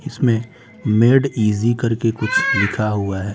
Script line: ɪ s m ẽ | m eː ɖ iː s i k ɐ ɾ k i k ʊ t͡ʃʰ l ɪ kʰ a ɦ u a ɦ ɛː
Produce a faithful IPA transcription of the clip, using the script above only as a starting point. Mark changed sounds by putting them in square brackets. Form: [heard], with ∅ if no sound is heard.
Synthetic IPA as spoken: ɪ s m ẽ | m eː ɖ iː [z] i k ɐ ɾ k [e] k ʊ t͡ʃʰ l ɪ kʰ a ɦ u a ɦ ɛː